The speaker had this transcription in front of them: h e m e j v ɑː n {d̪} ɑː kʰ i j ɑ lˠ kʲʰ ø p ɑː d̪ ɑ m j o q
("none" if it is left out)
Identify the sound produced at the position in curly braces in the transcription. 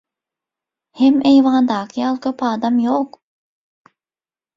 d̪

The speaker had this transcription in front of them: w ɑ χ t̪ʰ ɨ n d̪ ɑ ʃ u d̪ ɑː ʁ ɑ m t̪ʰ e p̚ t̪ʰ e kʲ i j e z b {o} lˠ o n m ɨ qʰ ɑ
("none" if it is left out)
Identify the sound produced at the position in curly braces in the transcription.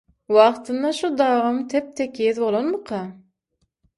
o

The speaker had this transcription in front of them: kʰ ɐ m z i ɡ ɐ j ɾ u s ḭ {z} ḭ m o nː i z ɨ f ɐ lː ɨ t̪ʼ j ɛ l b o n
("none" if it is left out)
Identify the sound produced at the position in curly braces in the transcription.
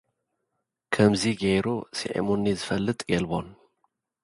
ʕ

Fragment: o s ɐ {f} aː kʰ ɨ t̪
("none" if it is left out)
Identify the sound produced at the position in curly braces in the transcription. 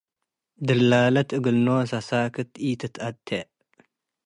s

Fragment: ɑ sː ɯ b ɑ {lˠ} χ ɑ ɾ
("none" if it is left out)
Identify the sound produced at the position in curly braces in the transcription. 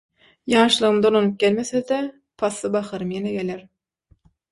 none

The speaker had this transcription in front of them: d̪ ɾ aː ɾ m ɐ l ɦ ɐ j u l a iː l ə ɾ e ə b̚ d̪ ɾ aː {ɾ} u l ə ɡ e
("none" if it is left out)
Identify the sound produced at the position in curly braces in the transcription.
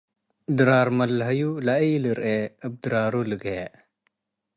ɾ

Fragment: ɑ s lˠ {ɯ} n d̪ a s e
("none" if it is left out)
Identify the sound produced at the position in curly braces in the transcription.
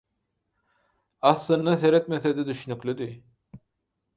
ɯ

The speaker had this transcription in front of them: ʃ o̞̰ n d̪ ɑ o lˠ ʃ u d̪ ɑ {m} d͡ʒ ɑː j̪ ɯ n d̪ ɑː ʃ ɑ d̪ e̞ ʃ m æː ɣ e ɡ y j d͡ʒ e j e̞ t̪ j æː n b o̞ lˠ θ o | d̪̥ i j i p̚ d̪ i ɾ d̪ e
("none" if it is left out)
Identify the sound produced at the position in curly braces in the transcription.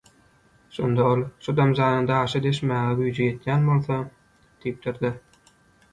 m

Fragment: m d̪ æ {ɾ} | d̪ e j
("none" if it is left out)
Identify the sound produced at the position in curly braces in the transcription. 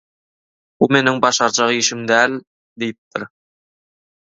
l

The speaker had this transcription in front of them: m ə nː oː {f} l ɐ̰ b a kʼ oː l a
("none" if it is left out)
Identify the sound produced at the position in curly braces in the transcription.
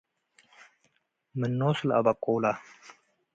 s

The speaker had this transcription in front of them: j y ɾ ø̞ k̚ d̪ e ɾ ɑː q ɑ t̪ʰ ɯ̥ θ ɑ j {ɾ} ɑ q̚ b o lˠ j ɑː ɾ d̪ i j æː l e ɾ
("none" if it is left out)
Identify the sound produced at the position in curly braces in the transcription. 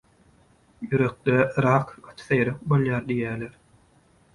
ɾ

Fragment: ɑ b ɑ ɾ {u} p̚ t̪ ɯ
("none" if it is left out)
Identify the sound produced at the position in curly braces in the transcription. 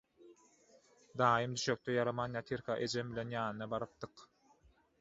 ɯ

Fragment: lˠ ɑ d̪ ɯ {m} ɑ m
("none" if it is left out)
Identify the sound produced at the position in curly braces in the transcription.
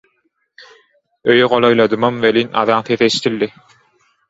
m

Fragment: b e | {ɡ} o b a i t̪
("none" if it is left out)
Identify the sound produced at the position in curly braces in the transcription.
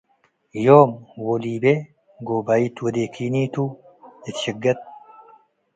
ɡ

